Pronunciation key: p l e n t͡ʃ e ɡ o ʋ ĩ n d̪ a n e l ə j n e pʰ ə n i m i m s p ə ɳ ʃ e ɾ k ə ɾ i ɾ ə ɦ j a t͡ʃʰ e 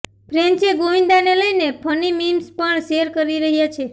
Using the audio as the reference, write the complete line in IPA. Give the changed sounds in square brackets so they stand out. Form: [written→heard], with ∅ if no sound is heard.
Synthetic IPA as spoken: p [l→ɾ] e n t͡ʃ e ɡ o ʋ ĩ n d̪ a n e l ə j n e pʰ ə n i m i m s p ə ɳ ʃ e ɾ k ə ɾ i ɾ ə ɦ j a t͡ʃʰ e